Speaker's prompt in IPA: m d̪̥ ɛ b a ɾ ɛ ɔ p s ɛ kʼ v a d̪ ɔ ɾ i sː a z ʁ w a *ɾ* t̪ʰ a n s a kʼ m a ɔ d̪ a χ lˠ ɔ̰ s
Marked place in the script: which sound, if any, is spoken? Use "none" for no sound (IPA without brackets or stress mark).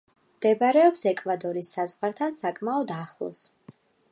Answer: ɾ